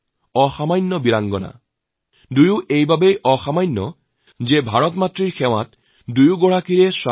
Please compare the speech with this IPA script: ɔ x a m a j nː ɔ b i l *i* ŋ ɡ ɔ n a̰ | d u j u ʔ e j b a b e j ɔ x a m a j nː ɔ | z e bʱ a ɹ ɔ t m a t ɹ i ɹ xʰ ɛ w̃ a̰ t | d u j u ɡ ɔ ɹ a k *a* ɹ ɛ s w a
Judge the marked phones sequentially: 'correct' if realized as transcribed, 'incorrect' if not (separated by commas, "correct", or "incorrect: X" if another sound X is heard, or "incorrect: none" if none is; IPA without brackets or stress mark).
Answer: incorrect: a, incorrect: i